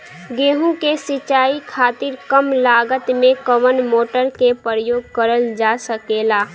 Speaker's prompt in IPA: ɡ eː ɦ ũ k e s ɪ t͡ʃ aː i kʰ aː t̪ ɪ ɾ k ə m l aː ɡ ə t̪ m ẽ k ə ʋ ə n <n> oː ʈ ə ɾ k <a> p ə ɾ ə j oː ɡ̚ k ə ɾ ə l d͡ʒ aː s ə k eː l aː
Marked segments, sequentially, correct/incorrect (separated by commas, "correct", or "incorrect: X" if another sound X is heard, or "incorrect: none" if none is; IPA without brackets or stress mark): incorrect: m, incorrect: e